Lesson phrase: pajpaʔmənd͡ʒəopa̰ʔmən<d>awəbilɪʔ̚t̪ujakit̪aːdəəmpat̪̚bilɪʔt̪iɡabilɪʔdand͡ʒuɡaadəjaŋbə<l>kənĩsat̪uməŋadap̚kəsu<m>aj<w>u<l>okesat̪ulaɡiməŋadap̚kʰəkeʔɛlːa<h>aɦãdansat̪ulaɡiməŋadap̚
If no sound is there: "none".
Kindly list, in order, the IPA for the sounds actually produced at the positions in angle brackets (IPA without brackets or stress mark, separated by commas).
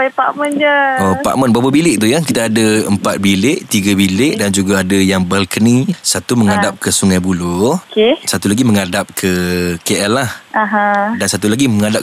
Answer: b, l, ŋ, b, l, h